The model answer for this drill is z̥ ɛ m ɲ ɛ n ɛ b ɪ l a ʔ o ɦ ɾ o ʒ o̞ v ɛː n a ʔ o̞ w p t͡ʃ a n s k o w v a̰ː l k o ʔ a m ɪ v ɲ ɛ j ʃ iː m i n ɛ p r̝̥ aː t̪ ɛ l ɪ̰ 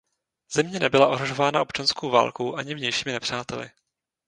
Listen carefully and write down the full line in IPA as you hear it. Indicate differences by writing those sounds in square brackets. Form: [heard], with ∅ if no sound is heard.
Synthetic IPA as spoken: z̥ ɛ m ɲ ɛ n ɛ b ɪ l a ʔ o ɦ ɾ o ʒ o̞ v [aː] n a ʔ o̞ [∅] p t͡ʃ a n s k o w v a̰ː l k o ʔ a [ɲ] ɪ v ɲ ɛ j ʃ iː m [ɪ] n ɛ p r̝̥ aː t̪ ɛ l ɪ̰